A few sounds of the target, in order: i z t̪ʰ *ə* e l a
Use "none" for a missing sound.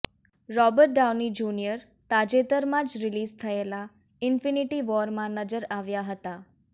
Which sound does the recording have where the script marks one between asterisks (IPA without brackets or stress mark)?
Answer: ə